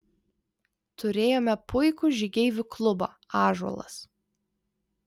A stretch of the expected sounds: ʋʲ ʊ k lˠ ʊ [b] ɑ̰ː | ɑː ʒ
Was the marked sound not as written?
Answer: no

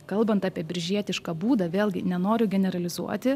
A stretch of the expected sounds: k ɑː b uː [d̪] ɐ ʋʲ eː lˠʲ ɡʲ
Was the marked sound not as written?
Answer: no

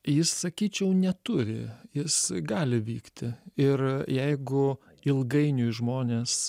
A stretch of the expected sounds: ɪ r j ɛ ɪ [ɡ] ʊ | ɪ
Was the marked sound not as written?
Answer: no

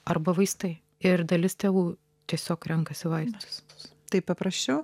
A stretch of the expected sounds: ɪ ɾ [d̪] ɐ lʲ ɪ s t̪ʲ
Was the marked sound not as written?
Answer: no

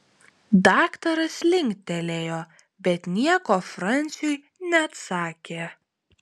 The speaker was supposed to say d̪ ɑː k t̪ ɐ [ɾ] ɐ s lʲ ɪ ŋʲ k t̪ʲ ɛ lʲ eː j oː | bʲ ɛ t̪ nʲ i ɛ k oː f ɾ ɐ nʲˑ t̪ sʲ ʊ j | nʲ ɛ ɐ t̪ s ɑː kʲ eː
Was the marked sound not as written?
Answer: no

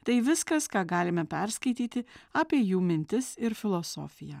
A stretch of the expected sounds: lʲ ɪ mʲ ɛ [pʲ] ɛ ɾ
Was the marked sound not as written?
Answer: no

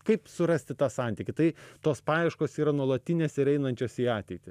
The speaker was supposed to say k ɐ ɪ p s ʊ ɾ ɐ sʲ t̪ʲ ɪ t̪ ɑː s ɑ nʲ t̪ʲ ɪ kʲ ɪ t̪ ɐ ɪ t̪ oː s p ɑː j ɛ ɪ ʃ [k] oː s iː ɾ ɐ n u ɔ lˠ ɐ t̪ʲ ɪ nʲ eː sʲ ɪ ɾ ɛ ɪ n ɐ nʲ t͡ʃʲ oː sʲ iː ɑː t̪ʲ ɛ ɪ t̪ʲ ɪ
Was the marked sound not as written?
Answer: no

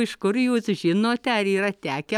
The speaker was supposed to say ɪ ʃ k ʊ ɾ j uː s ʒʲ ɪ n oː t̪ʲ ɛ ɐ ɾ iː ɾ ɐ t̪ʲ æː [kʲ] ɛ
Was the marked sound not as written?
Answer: no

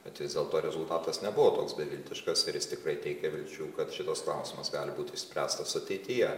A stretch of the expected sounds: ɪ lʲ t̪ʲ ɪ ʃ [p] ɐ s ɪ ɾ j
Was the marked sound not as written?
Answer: yes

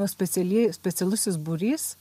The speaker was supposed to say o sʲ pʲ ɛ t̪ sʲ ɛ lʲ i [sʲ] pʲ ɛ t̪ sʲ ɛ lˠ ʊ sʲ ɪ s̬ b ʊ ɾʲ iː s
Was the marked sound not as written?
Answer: no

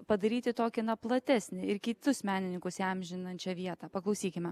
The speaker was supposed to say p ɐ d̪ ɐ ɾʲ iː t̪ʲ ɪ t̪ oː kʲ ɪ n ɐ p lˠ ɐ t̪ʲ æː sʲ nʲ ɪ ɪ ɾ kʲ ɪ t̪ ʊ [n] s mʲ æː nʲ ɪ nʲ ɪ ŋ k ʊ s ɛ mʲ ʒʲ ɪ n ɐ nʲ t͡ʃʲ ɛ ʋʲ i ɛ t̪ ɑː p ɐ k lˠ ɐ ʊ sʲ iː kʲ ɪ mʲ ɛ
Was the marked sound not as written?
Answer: yes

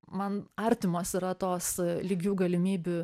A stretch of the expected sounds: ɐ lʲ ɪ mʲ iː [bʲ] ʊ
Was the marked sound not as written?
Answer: no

